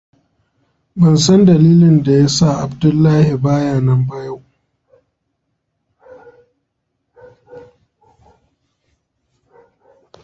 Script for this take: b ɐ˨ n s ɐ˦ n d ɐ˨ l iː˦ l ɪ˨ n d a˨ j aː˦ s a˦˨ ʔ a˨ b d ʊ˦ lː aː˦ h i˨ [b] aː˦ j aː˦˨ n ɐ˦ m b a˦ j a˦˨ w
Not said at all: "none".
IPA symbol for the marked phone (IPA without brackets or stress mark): b